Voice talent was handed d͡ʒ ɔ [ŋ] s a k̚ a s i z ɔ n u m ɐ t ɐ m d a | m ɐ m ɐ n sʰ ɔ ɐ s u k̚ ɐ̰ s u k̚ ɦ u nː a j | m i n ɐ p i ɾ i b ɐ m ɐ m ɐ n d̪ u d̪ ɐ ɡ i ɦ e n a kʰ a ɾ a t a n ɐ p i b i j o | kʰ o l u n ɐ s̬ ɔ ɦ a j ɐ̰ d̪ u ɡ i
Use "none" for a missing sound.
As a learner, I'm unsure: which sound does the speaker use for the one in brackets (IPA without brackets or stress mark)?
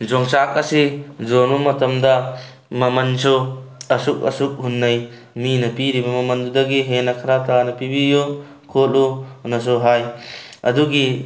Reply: ŋ